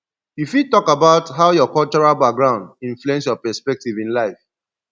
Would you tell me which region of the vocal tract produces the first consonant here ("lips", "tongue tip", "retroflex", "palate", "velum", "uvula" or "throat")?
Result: lips